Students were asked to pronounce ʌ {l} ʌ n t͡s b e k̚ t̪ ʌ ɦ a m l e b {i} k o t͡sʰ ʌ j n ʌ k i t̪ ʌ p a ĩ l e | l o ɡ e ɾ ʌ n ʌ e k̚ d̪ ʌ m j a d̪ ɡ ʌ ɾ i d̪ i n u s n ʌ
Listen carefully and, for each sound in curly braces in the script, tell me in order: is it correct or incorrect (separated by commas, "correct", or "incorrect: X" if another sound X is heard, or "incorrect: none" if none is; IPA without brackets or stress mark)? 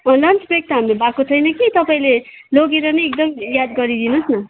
correct, incorrect: a